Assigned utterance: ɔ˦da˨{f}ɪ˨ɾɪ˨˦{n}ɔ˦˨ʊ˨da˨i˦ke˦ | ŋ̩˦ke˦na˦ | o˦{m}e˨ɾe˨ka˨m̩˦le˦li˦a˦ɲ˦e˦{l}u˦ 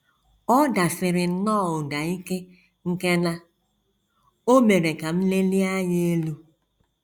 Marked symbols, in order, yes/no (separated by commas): yes, yes, yes, yes